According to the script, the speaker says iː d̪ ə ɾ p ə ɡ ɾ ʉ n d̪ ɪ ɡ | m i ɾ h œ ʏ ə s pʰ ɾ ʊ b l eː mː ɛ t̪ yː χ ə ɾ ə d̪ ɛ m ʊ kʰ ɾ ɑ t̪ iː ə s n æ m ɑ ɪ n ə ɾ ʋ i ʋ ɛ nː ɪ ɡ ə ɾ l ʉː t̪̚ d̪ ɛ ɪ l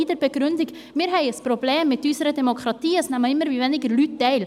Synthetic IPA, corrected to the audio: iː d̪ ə ɾ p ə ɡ ɾ ʉ n d̪ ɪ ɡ | m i ɾ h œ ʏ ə s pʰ ɾ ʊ b l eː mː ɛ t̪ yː s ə ɾ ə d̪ ɛ m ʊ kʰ ɾ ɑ t̪ iː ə s n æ m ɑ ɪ m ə ɾ ʋ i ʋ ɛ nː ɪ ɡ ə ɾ l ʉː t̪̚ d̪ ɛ ɪ l